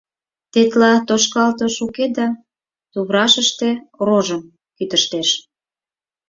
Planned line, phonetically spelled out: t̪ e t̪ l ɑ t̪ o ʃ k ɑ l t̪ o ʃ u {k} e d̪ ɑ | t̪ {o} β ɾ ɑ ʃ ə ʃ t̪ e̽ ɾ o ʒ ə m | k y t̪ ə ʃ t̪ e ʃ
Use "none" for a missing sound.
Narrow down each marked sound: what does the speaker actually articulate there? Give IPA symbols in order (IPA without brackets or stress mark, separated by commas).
k, u